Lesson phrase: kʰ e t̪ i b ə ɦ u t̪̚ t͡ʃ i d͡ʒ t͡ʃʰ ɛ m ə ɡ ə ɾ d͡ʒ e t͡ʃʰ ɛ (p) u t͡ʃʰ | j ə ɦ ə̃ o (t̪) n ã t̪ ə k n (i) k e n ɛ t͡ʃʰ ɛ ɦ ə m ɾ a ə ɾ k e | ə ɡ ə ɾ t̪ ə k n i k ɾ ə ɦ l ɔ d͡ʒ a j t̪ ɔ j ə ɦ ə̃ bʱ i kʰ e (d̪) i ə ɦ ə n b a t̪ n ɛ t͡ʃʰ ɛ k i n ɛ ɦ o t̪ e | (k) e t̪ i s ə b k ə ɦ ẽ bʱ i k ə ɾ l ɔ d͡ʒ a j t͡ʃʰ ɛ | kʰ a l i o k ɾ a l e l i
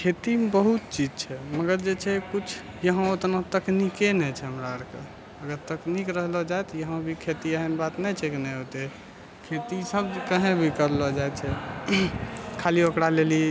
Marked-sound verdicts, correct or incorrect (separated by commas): incorrect, correct, correct, incorrect, incorrect